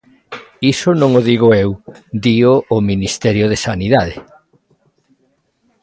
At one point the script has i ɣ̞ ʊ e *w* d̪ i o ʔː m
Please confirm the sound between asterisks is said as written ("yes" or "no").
yes